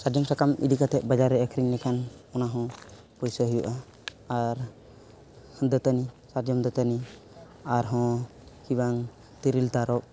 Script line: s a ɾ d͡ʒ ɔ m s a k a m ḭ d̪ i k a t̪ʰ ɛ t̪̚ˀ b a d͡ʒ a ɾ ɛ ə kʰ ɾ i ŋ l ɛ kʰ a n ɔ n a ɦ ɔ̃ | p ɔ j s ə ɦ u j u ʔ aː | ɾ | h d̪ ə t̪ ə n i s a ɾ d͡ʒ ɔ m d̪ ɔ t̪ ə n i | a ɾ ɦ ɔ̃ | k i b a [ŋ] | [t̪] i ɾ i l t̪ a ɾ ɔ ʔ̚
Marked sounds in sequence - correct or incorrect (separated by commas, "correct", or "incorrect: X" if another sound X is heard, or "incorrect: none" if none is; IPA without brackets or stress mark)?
correct, correct